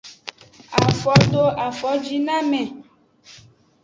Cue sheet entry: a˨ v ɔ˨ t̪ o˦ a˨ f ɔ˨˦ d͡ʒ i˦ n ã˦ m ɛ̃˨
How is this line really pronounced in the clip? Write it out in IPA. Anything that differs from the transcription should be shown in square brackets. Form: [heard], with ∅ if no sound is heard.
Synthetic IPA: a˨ [f] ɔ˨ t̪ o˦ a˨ f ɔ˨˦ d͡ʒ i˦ n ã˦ m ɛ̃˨